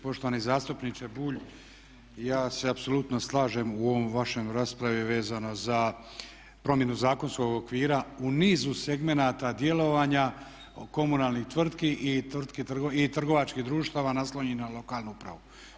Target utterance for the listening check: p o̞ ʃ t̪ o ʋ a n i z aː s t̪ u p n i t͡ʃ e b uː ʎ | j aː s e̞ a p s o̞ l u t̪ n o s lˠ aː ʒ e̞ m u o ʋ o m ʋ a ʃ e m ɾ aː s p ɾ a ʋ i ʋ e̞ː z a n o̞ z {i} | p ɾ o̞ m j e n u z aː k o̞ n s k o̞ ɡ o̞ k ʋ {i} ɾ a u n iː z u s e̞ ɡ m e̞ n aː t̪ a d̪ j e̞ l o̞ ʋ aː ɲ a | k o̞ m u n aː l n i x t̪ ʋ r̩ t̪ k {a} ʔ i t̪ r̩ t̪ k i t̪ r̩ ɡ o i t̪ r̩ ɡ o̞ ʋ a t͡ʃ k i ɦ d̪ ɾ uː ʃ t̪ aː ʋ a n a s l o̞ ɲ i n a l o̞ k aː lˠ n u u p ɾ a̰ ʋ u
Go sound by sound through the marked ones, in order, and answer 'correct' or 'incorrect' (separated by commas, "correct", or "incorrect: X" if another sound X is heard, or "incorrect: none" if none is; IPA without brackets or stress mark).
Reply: incorrect: a, incorrect: iː, incorrect: i